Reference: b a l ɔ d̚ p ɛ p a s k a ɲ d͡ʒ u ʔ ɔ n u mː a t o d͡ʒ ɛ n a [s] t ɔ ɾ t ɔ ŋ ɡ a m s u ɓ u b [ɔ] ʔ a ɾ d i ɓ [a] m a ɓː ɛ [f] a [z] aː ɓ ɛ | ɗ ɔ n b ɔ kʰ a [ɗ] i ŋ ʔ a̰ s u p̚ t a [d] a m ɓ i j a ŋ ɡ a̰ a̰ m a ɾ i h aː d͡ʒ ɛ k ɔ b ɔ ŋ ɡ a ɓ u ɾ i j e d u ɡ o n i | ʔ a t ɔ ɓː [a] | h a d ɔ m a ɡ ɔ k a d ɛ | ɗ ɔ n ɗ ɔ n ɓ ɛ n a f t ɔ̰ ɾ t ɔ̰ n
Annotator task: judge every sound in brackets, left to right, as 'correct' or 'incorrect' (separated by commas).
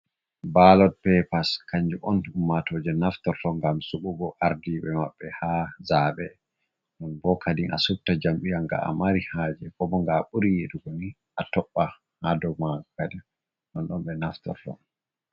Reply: incorrect, correct, incorrect, incorrect, correct, incorrect, incorrect, correct